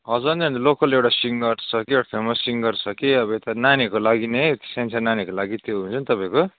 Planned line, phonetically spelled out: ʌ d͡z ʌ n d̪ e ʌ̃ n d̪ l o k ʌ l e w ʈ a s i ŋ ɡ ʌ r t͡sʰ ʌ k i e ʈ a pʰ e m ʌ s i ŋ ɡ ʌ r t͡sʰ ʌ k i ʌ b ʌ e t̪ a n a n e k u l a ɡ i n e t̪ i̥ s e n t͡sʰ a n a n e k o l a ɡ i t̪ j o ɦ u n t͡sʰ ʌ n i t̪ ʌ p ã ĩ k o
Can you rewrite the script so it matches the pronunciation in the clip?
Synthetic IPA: ʌ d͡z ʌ n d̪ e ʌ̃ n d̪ l o k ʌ l e w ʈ a s i ŋ ɡ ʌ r t͡sʰ ʌ k i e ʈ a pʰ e m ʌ s i ŋ ɡ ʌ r t͡sʰ ʌ k i ʌ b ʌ e t̪ a n a n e k o l a ɡ i n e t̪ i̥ s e n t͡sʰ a n a n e k o l a ɡ i t̪ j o ɦ u n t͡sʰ ʌ n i t̪ ʌ p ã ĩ k o